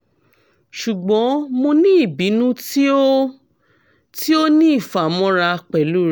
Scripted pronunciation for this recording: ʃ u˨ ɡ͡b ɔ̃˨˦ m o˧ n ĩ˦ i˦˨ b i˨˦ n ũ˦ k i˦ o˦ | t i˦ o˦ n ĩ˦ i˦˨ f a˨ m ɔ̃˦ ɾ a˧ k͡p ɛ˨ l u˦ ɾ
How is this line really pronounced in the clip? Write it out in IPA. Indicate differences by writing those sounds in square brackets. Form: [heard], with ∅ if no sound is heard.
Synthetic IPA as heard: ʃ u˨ ɡ͡b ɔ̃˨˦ m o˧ n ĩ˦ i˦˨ b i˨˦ n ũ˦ [t] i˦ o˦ | t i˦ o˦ n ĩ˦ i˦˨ f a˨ m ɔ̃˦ ɾ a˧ k͡p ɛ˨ l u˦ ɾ